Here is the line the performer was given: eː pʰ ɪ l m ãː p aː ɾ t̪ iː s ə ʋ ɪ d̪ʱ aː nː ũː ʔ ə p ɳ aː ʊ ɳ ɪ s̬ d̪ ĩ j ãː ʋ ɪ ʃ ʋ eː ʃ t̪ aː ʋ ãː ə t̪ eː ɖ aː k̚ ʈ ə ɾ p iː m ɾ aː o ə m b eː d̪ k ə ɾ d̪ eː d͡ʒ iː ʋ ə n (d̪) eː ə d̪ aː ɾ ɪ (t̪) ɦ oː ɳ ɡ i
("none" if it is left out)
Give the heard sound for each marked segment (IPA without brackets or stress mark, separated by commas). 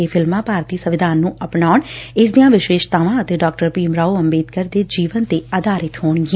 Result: t̪, t̪